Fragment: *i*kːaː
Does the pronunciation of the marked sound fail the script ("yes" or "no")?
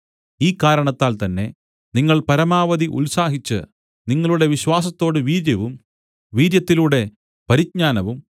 yes